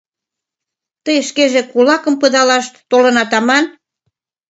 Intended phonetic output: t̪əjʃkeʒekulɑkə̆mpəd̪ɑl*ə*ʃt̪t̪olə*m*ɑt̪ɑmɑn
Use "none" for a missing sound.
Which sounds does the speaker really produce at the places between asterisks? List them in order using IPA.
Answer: ɑ, n

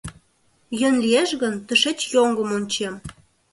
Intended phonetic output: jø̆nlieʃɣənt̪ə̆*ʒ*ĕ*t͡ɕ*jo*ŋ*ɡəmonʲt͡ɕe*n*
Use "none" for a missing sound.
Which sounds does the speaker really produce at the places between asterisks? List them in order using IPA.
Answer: ʃ, t͡ɕ, ŋ, m

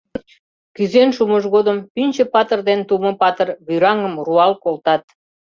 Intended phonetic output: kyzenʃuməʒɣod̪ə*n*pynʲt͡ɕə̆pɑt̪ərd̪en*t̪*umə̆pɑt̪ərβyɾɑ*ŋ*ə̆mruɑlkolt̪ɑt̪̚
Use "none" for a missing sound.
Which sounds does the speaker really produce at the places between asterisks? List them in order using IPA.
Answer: m, t̪, ŋ

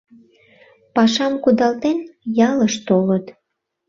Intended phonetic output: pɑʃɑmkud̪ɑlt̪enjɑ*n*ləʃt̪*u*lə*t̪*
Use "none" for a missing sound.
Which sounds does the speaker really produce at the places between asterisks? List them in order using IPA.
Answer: none, o, t̪

